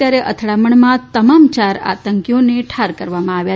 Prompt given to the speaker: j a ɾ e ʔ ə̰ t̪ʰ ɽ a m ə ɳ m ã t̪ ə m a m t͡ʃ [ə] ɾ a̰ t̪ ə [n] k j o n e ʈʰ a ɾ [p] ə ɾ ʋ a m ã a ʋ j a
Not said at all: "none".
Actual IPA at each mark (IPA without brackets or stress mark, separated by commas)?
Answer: a, ŋ, k